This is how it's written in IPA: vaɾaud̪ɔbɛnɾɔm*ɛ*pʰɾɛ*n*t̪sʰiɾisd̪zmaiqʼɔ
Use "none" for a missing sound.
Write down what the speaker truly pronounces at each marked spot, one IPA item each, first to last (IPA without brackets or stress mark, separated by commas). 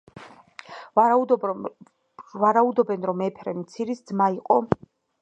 ɛ, m